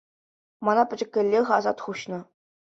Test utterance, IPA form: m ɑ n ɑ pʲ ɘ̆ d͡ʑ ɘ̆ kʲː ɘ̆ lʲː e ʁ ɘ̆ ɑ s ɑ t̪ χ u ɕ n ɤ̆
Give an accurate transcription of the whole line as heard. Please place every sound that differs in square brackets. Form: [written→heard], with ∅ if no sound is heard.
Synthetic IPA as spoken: m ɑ n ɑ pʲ ɘ̆ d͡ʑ ɘ̆ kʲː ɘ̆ lʲː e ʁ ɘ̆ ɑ [s→z] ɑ t̪ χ u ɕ n ɤ̆